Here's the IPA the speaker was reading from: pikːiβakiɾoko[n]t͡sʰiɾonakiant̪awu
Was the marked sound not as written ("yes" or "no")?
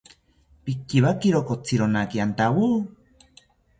yes